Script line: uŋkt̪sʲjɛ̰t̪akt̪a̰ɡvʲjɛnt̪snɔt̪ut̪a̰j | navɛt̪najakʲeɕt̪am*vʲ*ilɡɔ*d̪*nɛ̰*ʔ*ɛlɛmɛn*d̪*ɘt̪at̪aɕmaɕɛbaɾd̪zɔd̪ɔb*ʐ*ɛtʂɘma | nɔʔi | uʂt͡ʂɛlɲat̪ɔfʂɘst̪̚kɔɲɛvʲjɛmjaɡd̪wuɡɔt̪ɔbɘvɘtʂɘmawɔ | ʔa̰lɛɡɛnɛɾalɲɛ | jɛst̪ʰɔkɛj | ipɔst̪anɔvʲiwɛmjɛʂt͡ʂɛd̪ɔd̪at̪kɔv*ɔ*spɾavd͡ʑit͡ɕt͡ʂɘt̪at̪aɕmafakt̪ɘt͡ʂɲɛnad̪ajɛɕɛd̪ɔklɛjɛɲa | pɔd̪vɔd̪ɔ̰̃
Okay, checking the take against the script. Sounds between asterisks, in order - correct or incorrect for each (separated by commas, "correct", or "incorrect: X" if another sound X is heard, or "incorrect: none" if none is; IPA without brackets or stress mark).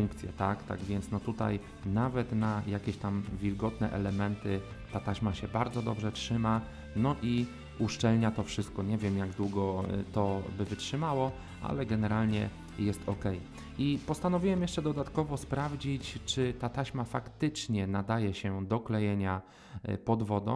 correct, incorrect: t̪, correct, incorrect: t̪, correct, correct